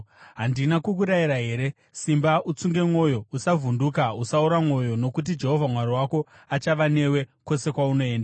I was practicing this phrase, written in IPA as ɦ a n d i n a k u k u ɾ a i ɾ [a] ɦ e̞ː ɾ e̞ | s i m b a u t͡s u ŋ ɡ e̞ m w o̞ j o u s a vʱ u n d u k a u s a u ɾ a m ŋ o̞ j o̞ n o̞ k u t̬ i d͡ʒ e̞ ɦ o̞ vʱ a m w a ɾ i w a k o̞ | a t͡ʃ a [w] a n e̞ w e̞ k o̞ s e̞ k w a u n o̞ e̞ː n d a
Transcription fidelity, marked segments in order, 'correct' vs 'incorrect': correct, incorrect: ʋ

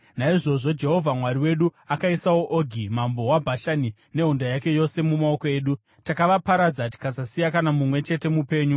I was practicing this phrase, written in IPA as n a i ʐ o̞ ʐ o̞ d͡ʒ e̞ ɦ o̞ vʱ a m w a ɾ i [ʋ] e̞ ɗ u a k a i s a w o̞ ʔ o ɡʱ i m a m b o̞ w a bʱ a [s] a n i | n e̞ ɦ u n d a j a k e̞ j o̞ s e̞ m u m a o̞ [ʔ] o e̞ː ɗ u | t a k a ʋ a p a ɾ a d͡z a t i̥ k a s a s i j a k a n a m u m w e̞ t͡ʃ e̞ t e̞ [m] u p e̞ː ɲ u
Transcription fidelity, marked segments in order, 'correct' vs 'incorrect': incorrect: w, incorrect: ʃ, incorrect: k, correct

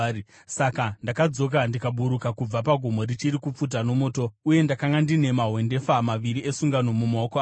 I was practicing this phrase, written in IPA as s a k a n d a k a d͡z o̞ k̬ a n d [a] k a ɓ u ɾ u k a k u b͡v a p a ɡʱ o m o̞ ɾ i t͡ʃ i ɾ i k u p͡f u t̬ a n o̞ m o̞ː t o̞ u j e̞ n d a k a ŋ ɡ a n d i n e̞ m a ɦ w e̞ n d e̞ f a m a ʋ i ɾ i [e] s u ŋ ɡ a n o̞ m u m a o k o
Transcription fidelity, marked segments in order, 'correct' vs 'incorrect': incorrect: i, correct

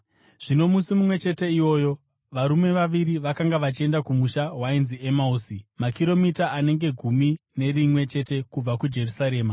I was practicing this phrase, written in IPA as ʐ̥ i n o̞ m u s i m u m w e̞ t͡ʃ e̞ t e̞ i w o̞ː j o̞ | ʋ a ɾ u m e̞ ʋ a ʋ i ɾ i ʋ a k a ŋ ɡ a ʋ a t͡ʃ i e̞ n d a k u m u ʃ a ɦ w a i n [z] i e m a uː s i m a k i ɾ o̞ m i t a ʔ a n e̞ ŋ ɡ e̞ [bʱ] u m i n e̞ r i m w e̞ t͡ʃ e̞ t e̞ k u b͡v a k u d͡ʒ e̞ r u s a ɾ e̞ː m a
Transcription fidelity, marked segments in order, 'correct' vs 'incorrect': correct, incorrect: ɡʱ

